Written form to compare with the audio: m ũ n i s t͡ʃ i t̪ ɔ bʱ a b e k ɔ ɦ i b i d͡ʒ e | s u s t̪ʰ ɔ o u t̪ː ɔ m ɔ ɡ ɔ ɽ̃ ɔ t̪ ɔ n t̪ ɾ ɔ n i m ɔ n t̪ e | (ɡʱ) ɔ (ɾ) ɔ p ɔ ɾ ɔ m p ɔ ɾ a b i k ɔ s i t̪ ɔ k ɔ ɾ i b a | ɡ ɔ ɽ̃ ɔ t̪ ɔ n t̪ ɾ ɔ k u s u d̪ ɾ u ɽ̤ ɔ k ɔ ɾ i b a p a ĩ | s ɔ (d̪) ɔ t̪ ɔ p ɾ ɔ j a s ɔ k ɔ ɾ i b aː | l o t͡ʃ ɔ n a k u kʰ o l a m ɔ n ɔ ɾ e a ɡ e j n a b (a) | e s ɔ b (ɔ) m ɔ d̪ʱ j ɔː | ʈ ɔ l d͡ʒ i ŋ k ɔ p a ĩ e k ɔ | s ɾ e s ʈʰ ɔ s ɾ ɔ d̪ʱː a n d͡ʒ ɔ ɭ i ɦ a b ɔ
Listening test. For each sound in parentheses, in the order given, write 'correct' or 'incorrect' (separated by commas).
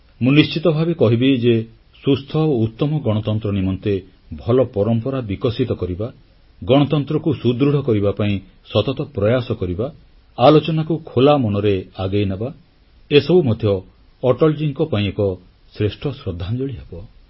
incorrect, incorrect, incorrect, correct, incorrect